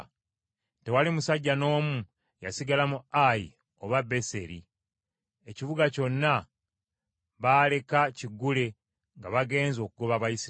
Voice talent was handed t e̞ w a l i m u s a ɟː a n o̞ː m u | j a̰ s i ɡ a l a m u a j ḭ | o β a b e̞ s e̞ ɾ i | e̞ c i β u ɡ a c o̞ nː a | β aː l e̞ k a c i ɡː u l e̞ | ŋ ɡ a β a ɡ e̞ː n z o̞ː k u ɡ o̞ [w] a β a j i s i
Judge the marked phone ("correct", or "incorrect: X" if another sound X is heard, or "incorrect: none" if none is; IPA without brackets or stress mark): incorrect: β